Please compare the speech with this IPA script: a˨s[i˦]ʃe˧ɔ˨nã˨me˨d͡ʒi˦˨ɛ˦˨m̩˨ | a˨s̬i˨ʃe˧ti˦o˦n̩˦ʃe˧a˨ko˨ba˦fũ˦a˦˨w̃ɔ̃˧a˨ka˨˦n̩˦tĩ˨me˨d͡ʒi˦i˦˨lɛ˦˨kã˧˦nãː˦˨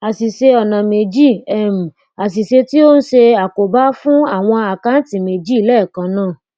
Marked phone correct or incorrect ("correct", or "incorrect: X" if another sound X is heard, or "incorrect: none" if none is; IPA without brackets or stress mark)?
incorrect: i˨